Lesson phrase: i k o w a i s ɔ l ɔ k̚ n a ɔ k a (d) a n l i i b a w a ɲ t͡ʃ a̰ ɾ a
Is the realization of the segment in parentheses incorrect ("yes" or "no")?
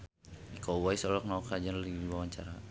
yes